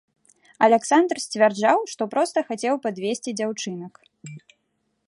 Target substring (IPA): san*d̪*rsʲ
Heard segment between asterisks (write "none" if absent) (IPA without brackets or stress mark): d̪